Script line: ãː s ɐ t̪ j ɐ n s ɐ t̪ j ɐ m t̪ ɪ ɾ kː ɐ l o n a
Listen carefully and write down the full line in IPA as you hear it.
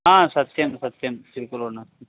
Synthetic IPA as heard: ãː s ɐ t̪ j ɐ m s ɐ t̪ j ɐ m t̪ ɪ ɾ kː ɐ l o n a